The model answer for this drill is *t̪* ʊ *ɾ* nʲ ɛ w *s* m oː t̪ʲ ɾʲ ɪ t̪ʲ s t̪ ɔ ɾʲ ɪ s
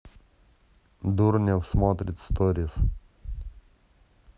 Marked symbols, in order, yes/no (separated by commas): no, yes, yes